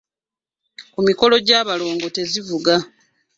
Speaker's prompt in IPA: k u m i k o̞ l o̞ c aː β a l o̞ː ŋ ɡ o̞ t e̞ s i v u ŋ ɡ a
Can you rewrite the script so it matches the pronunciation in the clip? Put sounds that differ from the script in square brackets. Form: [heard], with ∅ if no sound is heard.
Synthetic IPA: k u m i k o̞ l o̞ [ɟ] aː β a l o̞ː ŋ ɡ o̞ t e̞ [z] i v u [∅] ɡ a

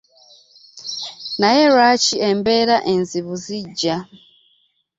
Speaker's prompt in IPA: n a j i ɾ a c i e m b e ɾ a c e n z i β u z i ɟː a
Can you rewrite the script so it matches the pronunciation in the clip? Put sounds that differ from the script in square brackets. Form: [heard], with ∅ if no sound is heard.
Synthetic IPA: n a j [e] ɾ a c i e m b e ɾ a [ʔ] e n z i β u z i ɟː a

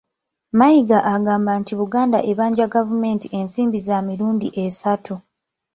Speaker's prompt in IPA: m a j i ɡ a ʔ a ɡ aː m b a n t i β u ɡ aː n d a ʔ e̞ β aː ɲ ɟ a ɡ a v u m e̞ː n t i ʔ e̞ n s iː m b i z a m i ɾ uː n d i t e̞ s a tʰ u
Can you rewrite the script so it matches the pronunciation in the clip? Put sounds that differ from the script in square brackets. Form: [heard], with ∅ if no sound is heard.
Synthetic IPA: m a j i ɡ a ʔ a ɡ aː m b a n t i β u ɡ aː n d a ʔ e̞ β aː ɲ ɟ a ɡ a v u m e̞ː n t i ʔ e̞ n s iː m b i z a m i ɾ uː n d i [ʔ] e̞ s a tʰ u

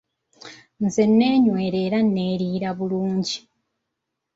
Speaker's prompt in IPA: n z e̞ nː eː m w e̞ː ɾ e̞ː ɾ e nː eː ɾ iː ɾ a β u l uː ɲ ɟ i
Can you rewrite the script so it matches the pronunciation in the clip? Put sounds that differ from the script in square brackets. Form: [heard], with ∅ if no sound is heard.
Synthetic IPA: n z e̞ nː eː [ɲ] w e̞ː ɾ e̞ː ɾ [a] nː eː ɾ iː ɾ a β u l uː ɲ ɟ i

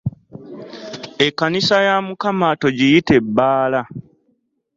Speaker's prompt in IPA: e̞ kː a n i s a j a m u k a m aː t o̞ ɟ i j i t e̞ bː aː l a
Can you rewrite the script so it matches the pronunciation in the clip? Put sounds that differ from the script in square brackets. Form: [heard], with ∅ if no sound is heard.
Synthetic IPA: e̞ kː a n i s a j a m u k a m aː t o̞ ɟ i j i t e̞ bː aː l a

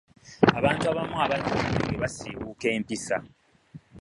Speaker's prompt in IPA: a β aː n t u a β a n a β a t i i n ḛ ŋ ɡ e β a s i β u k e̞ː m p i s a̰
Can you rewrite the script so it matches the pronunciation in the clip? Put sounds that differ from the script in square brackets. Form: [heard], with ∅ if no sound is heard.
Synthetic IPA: a β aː n t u a β a [m] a β a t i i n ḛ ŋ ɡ e β a s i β u k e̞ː m p i s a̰

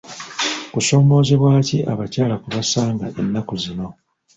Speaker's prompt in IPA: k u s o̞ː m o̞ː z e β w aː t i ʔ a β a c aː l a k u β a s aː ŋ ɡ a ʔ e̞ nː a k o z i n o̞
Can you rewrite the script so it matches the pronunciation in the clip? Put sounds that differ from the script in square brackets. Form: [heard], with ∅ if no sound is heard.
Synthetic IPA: k u s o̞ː m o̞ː z e β w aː [c] i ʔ a β a c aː l a k u β a s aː ŋ ɡ a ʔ e̞ nː a k [u] z i n o̞

